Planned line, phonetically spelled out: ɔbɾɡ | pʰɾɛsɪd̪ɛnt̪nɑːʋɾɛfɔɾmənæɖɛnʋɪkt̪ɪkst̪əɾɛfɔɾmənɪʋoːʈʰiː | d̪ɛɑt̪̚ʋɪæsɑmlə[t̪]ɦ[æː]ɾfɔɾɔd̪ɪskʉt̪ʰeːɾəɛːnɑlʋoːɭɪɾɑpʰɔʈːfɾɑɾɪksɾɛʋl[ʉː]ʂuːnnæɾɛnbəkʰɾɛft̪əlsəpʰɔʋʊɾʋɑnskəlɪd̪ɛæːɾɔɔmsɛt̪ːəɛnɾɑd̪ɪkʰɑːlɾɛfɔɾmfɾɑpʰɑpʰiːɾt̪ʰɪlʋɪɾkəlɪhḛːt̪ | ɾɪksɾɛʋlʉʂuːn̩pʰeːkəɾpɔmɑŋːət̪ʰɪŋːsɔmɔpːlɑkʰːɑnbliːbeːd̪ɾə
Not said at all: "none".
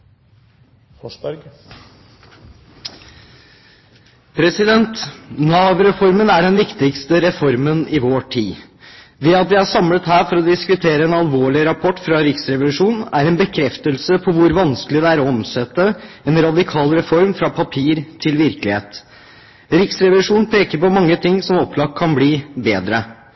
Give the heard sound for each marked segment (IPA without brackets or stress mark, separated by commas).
t̪, æː, ʉ